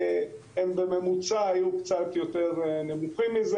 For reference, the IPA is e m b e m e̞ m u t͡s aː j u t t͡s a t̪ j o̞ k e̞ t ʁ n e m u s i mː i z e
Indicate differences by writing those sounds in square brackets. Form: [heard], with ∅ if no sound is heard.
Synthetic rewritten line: e m b e m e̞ m u t͡s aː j u [k] t͡s a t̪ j o̞ [t] e̞ [∅] ʁ n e m u [χ] i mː i z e